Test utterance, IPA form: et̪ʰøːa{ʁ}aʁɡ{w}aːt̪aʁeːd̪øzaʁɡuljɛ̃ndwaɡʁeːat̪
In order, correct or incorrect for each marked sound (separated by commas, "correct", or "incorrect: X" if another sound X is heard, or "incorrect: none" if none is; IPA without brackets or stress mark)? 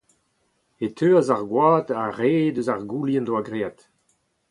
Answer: incorrect: z, correct